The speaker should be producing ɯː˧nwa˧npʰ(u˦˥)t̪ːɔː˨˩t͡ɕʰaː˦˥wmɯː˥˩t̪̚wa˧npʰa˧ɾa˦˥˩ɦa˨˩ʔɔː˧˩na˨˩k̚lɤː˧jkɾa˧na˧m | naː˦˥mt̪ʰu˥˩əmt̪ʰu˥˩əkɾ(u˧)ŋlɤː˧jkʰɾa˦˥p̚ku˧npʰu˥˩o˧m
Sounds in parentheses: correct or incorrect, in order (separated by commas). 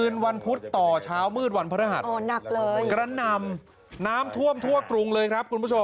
correct, correct